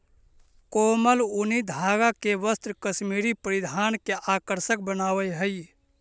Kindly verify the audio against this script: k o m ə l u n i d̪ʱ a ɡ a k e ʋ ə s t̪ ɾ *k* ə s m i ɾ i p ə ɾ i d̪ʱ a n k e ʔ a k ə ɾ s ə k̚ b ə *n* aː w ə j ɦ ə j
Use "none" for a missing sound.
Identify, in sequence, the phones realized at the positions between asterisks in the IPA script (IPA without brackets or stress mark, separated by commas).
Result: k, n